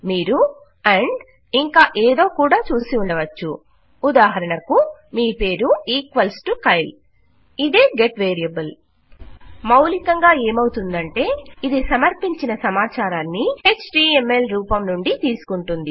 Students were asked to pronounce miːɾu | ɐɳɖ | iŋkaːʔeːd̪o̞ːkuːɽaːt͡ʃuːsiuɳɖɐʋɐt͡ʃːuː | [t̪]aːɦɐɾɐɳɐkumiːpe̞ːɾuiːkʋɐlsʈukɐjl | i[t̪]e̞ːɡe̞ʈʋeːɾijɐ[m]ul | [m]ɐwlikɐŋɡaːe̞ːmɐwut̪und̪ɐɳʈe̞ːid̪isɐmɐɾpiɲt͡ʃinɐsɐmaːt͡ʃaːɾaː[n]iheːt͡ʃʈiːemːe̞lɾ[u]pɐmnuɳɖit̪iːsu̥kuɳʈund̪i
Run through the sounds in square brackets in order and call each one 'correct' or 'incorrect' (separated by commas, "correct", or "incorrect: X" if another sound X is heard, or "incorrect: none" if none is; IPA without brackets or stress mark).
incorrect: d̪, incorrect: d̪, incorrect: b, correct, incorrect: nː, incorrect: uː